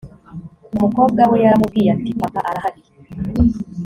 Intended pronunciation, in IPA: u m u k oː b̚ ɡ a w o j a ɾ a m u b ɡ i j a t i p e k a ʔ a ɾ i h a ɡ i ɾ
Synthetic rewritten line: u m u k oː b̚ ɡ a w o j a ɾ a m u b ɡ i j a t i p a k a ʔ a ɾ a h a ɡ i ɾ